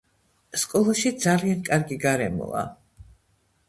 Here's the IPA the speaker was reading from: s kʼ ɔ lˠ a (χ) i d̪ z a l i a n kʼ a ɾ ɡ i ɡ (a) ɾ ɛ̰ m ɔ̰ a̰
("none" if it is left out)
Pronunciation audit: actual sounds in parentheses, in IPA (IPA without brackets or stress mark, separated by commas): ʃ, a